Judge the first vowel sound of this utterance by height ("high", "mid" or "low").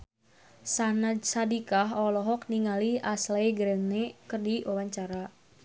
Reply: low